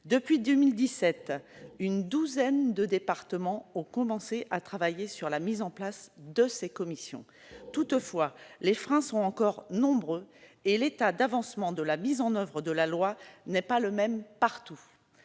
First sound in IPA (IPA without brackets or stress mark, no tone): d̪